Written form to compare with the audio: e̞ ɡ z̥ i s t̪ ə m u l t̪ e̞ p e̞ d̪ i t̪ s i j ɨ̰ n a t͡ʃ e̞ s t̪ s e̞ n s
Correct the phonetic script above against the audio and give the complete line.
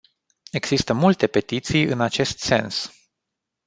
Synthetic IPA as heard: e̞ ɡ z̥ i s t̪ ə m u l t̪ e̞ p e̞ t̪ i t̪ s i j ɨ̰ n a t͡ʃ e̞ s t̪ s e̞ n s